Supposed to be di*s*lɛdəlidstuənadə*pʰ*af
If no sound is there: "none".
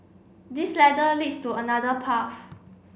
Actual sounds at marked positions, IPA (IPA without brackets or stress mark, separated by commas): s, pʰ